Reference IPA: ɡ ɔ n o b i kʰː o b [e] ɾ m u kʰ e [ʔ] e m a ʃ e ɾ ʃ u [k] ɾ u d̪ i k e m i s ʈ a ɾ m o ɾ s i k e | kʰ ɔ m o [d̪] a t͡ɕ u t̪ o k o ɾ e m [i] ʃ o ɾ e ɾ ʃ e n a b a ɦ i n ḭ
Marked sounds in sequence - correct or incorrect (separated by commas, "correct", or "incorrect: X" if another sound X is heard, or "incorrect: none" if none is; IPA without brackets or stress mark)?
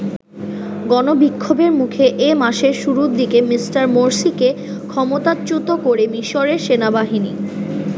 correct, correct, incorrect: none, incorrect: t̪, correct